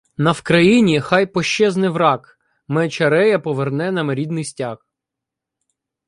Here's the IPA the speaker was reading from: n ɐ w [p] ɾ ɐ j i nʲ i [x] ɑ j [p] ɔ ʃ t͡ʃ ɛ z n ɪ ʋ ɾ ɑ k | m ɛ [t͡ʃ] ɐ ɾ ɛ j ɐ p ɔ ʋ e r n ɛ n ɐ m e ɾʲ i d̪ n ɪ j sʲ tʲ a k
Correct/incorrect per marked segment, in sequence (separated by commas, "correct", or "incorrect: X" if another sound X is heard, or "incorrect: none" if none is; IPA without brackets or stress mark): incorrect: k, correct, correct, correct